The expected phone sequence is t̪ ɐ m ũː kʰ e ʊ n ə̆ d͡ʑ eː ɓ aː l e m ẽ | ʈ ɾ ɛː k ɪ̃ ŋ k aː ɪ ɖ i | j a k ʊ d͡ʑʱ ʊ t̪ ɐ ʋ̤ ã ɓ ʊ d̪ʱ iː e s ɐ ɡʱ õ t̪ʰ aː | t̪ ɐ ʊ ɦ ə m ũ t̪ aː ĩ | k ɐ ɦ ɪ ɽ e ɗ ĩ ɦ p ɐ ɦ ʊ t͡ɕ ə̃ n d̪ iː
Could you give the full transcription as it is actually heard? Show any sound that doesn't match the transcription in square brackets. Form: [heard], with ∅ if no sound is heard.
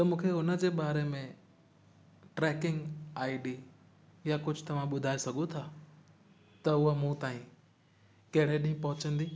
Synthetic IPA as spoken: t̪ ɐ m ũː kʰ e ʊ n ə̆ d͡ʑ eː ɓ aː [ɾ] e m ẽ | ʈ ɾ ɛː k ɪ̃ ŋ [ɡ] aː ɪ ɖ i | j a k ʊ d͡ʑʱ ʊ t̪ ɐ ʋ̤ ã ɓ ʊ d̪ʱ [aː] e s ɐ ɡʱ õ t̪ʰ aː | t̪ ɐ ʊ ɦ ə m ũ t̪ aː ĩ | k ɐ ɦ ɪ ɽ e ɗ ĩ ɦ p ɐ ɦ ʊ t͡ɕ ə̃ n d̪ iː